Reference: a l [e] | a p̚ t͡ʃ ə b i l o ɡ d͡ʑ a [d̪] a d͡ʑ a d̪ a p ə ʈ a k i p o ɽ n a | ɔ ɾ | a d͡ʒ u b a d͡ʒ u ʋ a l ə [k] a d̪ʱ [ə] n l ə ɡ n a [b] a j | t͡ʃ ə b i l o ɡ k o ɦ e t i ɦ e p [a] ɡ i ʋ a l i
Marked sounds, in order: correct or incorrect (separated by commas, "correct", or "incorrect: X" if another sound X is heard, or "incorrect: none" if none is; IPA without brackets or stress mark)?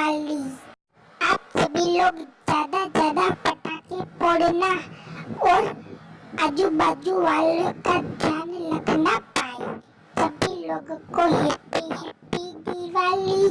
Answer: incorrect: i, correct, correct, incorrect: a, incorrect: p, incorrect: i